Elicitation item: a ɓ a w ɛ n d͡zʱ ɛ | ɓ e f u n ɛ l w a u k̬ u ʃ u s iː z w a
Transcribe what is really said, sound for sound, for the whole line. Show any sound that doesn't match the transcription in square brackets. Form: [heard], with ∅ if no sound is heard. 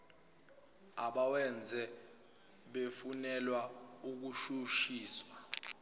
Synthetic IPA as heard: a ɓ a w ɛ n d͡zʱ ɛ | ɓ e f u n ɛ l w a u k̬ u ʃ u [ʃ] iː [s] w a